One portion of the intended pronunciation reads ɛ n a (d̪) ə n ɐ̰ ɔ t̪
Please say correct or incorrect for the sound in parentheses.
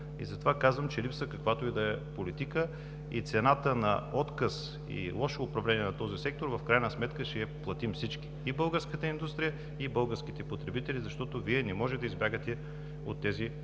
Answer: incorrect: t̪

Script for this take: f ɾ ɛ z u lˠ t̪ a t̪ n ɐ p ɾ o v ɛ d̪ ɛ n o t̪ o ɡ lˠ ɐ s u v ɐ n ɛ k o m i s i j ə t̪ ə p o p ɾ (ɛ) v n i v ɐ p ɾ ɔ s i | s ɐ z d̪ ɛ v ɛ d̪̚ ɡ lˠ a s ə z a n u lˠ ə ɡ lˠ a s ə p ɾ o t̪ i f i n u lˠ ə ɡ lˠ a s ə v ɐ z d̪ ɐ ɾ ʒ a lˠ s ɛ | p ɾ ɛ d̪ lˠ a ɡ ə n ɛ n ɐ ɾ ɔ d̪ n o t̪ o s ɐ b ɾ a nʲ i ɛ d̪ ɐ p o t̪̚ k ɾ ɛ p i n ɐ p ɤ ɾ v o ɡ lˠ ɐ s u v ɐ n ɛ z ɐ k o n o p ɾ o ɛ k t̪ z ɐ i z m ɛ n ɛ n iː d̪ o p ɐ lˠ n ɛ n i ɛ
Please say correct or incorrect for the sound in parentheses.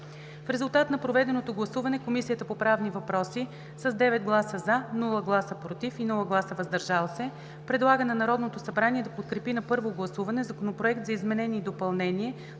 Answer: incorrect: a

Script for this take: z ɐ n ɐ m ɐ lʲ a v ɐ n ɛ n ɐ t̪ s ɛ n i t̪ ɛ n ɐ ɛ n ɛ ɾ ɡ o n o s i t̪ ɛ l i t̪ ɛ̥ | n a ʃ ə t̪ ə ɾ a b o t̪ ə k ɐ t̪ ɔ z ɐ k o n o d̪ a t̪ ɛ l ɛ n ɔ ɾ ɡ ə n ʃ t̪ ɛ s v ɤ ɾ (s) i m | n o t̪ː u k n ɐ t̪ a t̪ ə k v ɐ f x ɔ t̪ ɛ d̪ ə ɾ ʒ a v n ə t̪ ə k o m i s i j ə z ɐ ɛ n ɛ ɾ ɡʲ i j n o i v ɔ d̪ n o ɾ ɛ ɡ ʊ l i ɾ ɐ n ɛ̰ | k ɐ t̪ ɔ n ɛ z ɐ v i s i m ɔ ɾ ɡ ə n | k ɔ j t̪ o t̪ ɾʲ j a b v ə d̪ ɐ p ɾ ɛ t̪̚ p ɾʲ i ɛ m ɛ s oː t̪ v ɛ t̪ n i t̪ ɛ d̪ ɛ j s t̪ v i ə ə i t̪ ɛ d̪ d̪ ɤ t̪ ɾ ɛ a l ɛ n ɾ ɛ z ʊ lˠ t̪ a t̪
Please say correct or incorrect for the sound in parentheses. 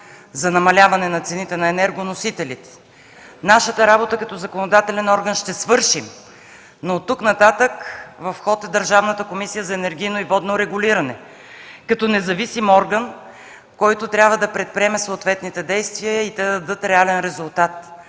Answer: incorrect: ʃ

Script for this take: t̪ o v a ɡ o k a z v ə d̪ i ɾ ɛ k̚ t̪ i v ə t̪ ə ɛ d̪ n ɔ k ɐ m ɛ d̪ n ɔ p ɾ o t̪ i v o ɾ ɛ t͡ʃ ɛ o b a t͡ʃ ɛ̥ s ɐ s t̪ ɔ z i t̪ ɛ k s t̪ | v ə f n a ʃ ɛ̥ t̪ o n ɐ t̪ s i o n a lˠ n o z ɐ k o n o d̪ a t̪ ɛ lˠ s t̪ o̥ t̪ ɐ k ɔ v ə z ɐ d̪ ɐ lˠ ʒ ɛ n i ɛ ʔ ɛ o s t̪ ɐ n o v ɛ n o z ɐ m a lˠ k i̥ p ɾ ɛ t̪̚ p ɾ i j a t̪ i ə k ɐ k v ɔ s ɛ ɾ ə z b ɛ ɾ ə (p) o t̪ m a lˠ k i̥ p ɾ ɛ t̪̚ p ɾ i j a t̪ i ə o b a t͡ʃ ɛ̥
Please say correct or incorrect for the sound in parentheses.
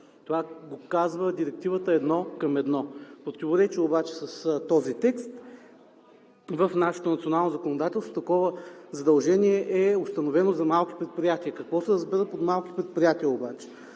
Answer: correct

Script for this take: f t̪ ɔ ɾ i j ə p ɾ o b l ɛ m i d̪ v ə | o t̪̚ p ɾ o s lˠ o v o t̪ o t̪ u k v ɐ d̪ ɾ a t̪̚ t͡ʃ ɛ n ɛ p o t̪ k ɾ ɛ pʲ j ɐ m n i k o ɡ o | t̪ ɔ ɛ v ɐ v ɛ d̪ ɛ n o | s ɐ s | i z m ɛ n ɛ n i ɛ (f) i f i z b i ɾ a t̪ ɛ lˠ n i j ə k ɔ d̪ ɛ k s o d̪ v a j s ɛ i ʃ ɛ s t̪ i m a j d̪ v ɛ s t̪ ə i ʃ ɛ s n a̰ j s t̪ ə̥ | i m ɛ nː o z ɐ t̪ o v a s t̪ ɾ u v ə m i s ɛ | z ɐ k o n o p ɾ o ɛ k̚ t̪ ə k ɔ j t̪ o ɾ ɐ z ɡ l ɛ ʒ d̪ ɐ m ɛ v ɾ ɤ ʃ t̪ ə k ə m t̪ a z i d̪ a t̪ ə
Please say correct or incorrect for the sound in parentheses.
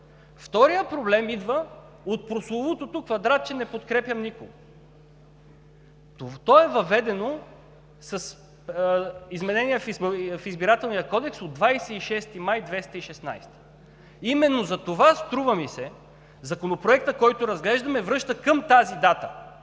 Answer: correct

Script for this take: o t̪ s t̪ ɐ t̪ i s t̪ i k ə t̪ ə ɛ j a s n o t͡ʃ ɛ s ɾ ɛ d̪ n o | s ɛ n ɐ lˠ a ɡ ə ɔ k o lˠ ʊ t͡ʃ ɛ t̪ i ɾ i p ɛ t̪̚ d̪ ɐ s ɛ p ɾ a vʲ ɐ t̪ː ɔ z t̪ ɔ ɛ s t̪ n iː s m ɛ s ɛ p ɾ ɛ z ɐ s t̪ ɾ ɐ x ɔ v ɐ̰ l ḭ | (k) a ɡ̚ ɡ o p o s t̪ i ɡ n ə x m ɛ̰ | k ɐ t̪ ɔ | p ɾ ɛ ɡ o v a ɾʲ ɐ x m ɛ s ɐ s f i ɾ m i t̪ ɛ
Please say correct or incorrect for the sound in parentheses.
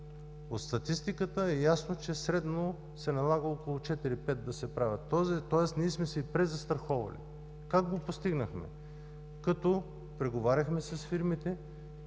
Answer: correct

